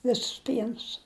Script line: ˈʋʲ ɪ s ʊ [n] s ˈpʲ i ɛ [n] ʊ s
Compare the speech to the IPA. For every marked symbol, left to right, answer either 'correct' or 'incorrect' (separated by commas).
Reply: incorrect, correct